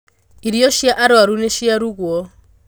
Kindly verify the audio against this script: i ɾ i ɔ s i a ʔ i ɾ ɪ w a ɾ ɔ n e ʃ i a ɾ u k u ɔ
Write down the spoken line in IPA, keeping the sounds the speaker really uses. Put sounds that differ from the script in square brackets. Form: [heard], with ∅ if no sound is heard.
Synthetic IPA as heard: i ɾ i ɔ [ʃ] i a ʔ [a] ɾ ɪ w a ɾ [u] n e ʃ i a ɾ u k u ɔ